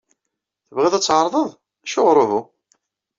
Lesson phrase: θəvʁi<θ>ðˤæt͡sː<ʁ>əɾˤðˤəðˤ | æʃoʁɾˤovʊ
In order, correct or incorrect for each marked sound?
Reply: incorrect: none, incorrect: ʕ

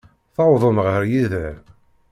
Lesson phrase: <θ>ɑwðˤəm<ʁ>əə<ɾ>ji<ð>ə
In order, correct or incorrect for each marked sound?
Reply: correct, correct, correct, correct

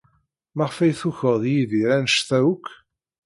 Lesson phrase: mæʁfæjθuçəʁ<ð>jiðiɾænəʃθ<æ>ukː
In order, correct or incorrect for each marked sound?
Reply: correct, correct

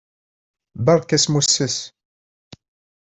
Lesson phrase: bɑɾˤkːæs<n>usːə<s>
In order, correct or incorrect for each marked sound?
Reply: incorrect: m, correct

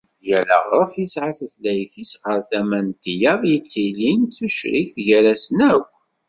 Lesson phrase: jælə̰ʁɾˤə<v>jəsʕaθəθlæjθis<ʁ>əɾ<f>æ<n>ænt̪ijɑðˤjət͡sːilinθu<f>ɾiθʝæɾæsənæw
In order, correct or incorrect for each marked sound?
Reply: incorrect: f, correct, incorrect: θ, incorrect: m, incorrect: ʃ

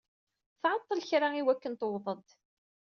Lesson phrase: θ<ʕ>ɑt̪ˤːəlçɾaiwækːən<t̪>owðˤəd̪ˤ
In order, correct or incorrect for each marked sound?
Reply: correct, correct

